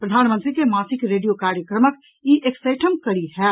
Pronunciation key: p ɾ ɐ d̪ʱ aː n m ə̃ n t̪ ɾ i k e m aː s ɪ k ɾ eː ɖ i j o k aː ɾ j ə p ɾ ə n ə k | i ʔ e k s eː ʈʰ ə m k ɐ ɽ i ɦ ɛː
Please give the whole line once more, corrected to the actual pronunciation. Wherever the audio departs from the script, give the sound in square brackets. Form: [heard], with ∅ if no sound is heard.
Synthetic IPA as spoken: p ɾ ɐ d̪ʱ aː n m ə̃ n t̪ ɾ i k e m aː s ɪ k ɾ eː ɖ i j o k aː ɾ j ə [k] ɾ ə [m] ə k | i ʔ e k s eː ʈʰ ə m k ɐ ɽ i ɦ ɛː